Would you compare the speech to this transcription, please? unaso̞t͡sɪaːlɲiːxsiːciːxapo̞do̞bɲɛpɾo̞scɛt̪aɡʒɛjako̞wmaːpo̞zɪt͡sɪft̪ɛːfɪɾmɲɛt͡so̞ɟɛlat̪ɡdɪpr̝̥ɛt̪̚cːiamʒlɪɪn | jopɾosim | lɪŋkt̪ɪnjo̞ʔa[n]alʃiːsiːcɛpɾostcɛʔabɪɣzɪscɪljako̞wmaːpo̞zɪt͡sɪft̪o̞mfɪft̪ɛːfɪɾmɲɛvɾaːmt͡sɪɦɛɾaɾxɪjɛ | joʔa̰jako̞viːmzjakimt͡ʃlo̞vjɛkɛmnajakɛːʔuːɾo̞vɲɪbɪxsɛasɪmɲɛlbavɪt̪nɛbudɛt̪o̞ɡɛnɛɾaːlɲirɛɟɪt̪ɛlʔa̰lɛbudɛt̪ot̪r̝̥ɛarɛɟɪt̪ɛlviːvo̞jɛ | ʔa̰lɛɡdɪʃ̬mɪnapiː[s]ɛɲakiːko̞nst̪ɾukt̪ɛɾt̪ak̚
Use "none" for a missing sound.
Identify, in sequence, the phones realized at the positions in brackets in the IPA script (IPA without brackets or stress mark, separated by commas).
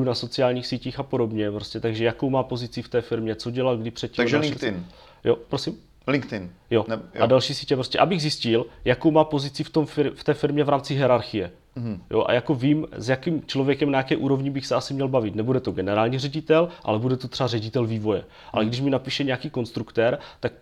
d, ʃ